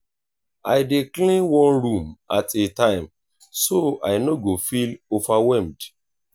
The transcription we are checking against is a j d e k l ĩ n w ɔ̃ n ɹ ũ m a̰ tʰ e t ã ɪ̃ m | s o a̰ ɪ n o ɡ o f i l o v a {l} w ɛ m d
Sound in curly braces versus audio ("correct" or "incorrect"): incorrect